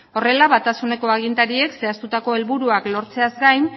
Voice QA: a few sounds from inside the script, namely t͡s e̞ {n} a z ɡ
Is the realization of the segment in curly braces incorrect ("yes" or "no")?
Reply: yes